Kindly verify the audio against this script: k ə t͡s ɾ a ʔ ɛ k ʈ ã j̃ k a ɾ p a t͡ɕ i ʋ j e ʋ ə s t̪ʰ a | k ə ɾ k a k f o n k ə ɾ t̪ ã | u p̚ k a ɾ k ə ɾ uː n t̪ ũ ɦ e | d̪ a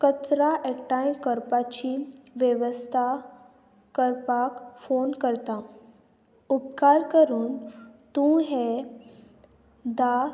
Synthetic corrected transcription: k ə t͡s ɾ a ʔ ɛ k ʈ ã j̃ k ə ɾ p a t͡ɕ i ʋ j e ʋ ə s t̪ʰ a | k ə ɾ p a k f o n k ə ɾ t̪ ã | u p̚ k a ɾ k ə ɾ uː n t̪ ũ ɦ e | d̪ a